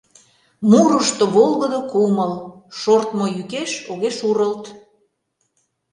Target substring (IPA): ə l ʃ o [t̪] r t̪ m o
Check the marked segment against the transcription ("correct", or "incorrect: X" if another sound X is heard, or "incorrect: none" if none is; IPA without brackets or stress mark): incorrect: none